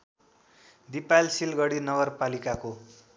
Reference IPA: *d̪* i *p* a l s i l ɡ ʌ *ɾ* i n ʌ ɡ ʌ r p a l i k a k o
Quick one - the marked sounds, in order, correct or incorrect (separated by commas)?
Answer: correct, correct, incorrect